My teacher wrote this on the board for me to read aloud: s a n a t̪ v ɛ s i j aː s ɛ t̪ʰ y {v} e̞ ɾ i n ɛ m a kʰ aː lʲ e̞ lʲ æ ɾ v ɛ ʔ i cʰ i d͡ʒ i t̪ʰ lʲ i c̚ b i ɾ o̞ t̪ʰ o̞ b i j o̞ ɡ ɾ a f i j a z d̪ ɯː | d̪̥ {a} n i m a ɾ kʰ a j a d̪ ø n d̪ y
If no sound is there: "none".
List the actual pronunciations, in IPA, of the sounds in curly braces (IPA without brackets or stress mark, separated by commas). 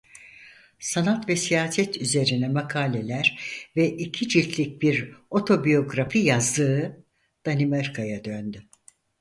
z, a